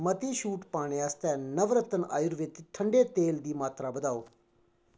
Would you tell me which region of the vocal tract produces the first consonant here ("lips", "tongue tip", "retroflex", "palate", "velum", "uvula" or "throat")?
lips